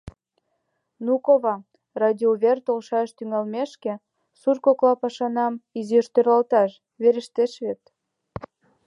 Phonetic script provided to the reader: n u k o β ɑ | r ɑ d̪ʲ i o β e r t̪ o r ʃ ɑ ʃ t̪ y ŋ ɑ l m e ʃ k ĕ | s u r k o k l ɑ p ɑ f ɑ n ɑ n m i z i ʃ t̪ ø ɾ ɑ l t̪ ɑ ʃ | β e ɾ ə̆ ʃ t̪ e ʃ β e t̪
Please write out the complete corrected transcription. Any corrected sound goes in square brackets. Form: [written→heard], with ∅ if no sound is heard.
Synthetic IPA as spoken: n u k o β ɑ | r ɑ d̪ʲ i o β e r t̪ o [r→l] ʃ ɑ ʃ t̪ y ŋ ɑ l m e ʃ k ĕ | s u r k o k l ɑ p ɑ [f→ʃ] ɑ n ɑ [n→∅] m i z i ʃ t̪ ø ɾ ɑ l t̪ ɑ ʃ | β e ɾ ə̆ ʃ t̪ e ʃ β e t̪